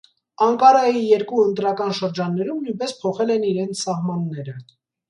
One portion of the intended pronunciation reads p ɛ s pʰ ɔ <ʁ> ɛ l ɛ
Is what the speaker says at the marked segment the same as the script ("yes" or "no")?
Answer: no